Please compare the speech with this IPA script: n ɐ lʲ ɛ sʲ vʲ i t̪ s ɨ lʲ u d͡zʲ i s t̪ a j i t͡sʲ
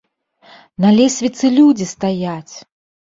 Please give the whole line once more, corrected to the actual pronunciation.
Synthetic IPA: n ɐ lʲ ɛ sʲ vʲ i t̪ s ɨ lʲ u d͡zʲ i s t̪ a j a t͡sʲ